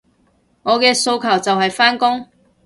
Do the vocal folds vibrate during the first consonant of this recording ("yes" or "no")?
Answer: yes